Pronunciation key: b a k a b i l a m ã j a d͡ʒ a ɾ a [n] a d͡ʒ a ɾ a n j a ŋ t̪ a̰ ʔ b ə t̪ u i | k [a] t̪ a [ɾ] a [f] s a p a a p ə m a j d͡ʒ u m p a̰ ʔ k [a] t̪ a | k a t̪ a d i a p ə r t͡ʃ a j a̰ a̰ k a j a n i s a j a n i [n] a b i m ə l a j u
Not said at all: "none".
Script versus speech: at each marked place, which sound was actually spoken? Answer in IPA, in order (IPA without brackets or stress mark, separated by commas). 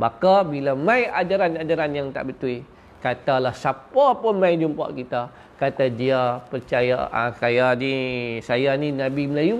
n, a, l, h, i, n